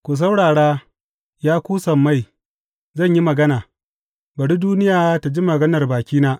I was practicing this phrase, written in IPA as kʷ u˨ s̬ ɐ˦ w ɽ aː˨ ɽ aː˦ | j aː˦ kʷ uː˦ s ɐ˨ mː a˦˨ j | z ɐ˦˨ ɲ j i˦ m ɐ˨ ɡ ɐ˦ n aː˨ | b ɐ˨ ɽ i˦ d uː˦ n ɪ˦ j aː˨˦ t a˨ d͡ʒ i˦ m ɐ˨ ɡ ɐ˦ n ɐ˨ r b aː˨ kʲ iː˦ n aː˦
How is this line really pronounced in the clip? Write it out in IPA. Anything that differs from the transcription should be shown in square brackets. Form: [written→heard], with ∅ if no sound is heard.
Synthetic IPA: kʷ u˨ s̬ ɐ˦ w ɽ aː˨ ɽ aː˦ | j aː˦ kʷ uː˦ s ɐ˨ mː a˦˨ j | z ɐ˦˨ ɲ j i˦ m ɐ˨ ɡ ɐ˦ n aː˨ | b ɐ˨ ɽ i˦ d uː˦ n ɪ˦ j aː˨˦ t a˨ d͡ʒ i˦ m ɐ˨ ɡ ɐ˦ n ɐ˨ r b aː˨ kʲ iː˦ n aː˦